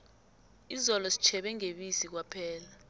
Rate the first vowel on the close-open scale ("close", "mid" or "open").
close